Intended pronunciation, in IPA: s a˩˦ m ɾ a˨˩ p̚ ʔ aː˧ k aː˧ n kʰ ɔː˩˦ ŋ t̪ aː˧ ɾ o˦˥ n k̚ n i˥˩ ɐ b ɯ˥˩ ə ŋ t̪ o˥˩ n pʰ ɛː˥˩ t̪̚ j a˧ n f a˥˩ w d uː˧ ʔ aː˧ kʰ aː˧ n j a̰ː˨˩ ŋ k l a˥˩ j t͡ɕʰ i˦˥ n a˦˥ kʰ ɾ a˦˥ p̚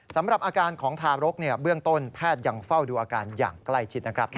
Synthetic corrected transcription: s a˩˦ m ɾ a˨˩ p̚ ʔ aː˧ k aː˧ n kʰ ɔː˩˦ ŋ t̪ʰ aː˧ ɾ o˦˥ k̚ n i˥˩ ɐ b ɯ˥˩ ə ŋ t̪ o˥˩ n pʰ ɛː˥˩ t̪̚ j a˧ ŋ f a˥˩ w d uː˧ ʔ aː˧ k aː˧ n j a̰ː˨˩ ŋ k l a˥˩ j t͡ɕʰ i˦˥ n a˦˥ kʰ ɾ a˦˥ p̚

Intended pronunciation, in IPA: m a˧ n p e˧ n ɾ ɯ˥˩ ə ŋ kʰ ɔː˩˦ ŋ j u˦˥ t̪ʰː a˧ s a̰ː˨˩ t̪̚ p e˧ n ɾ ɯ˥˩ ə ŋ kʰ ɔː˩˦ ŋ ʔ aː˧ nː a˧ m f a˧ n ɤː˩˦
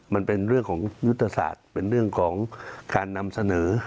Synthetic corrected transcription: m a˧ n p e˧ n ɾ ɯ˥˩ ə ŋ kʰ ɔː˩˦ ŋ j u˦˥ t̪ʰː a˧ s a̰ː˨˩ t̪̚ p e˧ n ɾ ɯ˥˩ ə ŋ kʰ ɔː˩˦ ŋ k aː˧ nː a˧ m s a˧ n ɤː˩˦

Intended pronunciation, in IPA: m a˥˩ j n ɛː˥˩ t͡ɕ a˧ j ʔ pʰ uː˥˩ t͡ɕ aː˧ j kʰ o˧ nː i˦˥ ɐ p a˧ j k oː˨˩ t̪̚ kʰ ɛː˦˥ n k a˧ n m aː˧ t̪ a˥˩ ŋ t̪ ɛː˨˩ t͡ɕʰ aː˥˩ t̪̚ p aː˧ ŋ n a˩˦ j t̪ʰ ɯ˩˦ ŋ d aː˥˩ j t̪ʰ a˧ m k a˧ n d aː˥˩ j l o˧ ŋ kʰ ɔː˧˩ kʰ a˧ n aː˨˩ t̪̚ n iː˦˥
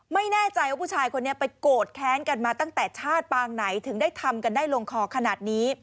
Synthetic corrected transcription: m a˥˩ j n ɛː˥˩ t͡ɕ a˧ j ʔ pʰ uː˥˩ t͡ɕʰ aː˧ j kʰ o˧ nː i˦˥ ɐ p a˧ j k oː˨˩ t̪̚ kʰ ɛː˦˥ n k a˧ n m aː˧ t̪ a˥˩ ŋ t̪ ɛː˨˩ t͡ɕʰ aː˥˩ t̪̚ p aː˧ ŋ n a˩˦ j t̪ʰ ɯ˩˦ ŋ d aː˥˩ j t̪ʰ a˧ m k a˧ n d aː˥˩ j l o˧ ŋ kʰ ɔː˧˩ kʰ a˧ n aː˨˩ t̪̚ n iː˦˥

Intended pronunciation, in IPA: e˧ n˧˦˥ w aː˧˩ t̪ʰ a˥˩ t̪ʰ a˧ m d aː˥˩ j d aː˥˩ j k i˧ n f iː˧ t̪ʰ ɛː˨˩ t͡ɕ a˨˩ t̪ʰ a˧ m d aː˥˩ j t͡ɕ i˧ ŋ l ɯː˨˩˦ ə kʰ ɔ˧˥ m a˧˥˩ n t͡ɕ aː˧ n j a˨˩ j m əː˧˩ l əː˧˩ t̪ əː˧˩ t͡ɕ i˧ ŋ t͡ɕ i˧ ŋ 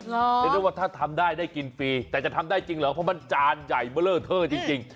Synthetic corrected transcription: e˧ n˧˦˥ w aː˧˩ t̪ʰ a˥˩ t̪ʰ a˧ m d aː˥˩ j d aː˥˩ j k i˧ n f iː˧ t̪ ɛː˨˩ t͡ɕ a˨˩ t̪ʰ a˧ m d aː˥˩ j t͡ɕ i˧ ŋ l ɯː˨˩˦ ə pʰ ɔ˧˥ m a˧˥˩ n t͡ɕ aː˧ n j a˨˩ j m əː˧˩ l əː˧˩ t̪ʰ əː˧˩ t͡ɕ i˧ ŋ t͡ɕ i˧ ŋ

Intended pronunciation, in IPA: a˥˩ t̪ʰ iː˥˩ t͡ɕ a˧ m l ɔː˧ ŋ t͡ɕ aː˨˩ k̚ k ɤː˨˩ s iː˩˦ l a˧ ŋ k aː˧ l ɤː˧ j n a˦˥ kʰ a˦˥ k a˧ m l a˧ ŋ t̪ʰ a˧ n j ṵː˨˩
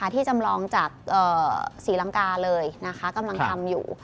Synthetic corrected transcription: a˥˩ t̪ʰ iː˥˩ t͡ɕ a˧ m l ɔː˧ ŋ t͡ɕ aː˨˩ k̚ ʔ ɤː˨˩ s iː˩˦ l a˧ ŋ k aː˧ l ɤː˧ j n a˦˥ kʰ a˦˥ k a˧ m l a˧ ŋ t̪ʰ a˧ m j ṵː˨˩

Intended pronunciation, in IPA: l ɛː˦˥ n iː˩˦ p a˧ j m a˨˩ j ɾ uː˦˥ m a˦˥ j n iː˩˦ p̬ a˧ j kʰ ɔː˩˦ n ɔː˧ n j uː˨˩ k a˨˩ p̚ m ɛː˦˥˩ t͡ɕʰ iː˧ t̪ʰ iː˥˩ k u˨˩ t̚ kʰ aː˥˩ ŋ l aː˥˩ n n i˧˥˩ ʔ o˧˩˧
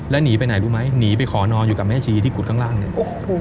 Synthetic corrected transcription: l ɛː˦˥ n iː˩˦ p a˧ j n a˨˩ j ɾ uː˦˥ m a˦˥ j n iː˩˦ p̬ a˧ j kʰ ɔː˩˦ n ɔː˧ n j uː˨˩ k a˨˩ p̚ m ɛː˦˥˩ t͡ɕʰ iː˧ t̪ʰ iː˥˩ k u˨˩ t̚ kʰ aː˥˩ ŋ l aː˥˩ ŋ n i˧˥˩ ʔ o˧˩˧

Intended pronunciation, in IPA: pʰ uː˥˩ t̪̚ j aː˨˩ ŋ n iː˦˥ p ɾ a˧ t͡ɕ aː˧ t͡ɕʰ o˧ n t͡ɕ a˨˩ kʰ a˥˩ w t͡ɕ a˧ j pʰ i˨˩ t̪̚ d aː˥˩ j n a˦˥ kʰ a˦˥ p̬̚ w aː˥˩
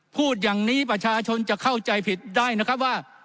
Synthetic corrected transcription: pʰ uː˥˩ t̪̚ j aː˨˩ ŋ n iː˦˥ p ɾ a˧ t͡ɕʰ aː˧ t͡ɕʰ o˧ n t͡ɕ a˨˩ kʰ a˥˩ w t͡ɕ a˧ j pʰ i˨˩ t̪̚ d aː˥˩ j n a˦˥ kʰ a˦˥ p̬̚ w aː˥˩

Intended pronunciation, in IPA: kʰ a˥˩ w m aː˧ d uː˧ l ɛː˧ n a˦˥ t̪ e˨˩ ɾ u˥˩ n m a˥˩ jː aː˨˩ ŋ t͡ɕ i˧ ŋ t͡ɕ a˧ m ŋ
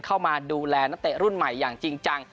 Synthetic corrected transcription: kʰ a˥˩ w m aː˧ d uː˧ l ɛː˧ n a˦˥ t̪ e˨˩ ɾ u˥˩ n m a˨˩ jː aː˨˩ ŋ t͡ɕ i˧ ŋ t͡ɕ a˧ ŋ

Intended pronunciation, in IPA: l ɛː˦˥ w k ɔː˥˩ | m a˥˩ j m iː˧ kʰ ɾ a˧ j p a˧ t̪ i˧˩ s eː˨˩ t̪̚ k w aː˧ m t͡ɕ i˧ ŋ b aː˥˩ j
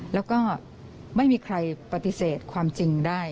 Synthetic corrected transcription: l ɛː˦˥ w k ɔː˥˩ | m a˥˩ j m iː˧ kʰ ɾ a˧ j p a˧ t̪ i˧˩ s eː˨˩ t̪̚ kʰ w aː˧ m t͡ɕ i˧ ŋ d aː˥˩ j

